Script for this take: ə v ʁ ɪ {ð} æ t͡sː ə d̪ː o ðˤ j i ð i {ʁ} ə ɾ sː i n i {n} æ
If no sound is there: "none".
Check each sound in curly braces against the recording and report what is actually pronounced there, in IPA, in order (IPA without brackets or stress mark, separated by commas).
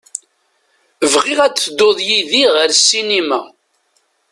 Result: ʁ, ʁ, m